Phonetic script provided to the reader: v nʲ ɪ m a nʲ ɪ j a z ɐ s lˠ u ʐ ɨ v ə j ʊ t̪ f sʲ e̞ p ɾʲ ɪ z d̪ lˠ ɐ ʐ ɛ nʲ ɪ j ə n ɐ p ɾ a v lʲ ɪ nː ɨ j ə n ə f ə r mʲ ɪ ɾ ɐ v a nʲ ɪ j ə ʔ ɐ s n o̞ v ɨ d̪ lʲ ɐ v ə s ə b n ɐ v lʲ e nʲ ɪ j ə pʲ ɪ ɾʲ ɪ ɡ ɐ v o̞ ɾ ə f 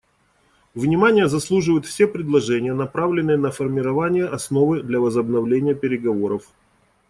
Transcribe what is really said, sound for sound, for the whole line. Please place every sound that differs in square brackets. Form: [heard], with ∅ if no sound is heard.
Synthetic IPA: v nʲ ɪ m a nʲ ɪ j [ə] z ɐ s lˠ u ʐ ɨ v ə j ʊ t̪ f sʲ e̞ p ɾʲ ɪ [∅] d̪ lˠ ɐ ʐ ɛ nʲ ɪ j ə n ɐ p ɾ a v lʲ ɪ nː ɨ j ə n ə f ə r mʲ ɪ ɾ ɐ v a nʲ ɪ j ə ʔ ɐ s n o̞ v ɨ d̪ lʲ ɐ v ə [z] ə b n ɐ v lʲ e nʲ ɪ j ə pʲ ɪ ɾʲ ɪ ɡ ɐ v o̞ ɾ ə f